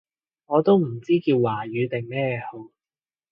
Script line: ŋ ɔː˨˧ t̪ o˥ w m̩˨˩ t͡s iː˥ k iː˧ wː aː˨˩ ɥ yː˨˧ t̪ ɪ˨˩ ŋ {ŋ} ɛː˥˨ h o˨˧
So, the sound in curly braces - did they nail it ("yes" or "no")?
no